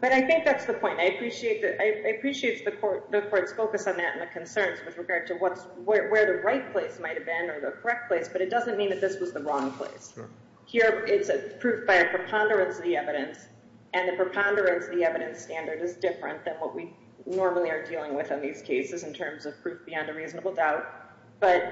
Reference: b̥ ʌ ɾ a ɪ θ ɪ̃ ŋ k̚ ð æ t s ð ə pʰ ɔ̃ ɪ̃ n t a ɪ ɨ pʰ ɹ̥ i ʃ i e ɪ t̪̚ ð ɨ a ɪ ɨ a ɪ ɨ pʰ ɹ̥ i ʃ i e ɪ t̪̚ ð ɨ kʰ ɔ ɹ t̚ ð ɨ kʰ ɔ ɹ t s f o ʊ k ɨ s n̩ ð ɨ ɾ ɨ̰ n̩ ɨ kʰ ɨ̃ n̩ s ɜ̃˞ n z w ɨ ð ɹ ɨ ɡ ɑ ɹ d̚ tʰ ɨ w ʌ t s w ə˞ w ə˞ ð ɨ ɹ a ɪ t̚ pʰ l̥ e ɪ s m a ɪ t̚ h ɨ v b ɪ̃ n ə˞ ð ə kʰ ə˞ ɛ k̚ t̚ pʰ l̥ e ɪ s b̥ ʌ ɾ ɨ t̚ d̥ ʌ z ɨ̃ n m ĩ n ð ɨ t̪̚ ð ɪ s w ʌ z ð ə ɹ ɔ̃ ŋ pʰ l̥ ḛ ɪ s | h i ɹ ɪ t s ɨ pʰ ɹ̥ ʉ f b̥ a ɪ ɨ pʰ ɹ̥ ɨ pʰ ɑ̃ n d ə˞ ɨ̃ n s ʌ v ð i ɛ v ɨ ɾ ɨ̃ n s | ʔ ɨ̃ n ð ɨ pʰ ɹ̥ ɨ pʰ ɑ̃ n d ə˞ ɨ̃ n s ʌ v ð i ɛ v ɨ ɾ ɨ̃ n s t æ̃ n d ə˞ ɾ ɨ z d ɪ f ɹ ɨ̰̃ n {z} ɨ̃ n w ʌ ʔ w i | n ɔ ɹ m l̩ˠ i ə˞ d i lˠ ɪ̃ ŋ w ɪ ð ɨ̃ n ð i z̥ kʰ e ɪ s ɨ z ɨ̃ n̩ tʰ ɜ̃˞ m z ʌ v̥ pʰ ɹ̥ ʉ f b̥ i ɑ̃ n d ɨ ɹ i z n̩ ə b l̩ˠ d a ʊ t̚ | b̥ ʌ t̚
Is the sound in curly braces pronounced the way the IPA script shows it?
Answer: no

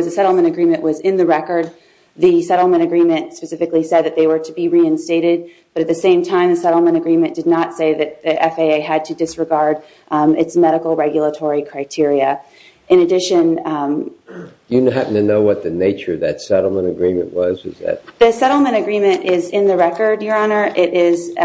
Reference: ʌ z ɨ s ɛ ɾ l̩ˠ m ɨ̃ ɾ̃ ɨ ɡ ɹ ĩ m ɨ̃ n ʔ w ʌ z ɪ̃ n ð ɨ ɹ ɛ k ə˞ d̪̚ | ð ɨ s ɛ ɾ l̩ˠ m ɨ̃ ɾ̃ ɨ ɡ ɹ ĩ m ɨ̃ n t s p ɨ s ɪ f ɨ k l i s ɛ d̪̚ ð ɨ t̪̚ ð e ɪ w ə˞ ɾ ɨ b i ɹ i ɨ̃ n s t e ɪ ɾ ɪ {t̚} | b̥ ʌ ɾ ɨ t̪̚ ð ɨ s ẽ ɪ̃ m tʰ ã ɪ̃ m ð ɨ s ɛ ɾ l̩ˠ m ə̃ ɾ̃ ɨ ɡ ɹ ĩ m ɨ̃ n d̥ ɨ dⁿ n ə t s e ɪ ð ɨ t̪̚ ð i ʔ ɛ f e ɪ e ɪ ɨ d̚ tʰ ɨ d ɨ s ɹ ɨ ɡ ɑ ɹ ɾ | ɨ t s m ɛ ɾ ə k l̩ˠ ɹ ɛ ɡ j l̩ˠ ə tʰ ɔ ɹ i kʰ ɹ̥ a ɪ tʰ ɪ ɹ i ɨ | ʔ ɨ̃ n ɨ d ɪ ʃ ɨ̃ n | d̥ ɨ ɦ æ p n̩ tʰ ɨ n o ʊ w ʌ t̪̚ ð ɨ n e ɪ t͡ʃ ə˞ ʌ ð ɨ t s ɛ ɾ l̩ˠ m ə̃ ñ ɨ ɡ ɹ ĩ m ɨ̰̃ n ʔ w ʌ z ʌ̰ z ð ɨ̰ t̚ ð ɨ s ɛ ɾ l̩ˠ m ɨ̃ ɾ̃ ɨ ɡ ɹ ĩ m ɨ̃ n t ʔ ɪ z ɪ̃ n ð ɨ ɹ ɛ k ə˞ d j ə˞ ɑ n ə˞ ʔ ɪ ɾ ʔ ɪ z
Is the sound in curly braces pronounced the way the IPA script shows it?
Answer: no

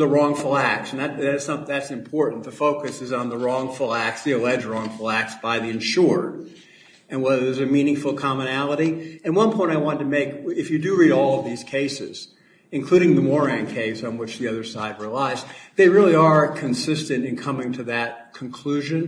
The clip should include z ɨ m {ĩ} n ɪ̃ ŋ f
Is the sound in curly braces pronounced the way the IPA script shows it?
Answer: yes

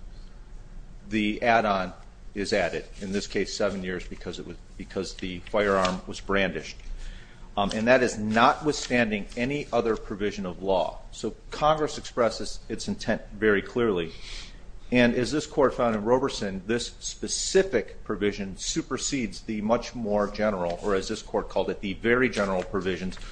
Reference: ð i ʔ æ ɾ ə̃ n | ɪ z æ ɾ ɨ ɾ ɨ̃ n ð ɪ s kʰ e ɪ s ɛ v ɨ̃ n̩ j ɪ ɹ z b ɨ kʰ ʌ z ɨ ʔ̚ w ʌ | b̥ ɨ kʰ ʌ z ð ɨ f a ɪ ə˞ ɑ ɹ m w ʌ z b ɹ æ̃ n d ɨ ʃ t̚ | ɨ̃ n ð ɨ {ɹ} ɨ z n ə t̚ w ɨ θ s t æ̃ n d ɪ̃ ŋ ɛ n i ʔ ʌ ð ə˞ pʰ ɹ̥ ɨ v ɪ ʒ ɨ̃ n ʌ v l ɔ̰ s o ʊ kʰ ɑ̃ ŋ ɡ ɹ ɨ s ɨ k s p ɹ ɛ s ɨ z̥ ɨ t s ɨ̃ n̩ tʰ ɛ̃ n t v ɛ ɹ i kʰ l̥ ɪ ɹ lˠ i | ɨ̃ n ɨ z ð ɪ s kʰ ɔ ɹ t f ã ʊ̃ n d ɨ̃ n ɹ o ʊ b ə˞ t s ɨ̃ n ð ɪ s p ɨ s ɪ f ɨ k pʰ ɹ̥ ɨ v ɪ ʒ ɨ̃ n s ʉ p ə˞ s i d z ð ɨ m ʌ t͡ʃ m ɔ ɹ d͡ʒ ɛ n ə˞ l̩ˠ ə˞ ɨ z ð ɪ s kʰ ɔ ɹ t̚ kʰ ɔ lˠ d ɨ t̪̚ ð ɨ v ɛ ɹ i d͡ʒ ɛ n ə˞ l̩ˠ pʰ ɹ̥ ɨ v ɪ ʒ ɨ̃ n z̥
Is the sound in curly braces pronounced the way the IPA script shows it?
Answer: no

